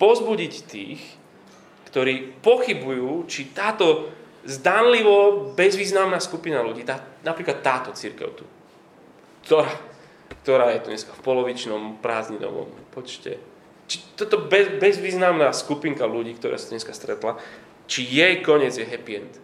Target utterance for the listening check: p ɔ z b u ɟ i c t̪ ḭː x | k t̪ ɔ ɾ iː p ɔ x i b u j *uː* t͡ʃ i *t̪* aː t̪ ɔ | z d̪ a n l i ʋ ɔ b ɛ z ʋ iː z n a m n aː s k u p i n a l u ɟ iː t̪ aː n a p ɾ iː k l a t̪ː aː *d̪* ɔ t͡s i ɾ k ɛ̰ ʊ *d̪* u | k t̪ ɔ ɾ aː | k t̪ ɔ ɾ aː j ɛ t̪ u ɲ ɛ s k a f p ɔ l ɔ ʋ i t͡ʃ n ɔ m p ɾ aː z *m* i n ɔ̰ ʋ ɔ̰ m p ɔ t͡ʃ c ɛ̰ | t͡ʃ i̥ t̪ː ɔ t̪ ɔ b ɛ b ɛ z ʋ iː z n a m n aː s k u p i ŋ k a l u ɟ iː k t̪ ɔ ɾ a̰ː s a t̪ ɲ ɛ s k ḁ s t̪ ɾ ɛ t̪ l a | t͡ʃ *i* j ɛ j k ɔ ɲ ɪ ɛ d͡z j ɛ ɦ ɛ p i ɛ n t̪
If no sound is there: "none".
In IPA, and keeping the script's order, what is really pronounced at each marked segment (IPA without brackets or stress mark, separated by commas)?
uː, t̪, t̪, t̪, ɲ, i